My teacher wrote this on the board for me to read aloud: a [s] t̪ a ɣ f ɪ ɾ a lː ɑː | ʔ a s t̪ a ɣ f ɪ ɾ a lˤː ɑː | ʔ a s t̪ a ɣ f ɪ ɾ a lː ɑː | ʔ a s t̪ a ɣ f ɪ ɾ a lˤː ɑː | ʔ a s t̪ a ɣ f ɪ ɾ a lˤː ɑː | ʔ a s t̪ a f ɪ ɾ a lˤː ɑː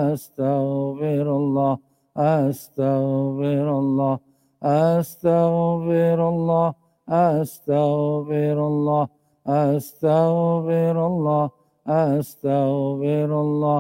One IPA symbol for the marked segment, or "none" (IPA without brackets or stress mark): s